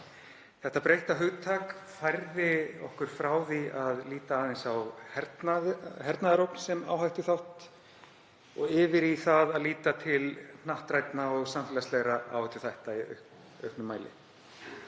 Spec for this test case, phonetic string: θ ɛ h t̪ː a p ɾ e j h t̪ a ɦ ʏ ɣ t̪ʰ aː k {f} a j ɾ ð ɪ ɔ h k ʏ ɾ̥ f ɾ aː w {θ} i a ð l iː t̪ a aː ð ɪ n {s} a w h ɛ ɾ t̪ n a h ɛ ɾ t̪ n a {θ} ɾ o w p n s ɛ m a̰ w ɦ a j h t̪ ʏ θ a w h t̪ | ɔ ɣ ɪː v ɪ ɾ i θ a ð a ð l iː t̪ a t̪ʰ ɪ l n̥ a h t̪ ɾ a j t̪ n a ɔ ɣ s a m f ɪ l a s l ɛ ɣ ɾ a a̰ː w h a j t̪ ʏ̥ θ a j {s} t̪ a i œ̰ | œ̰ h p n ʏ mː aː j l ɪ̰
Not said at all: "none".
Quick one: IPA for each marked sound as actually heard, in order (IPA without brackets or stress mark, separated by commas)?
f, ð, s, ð, h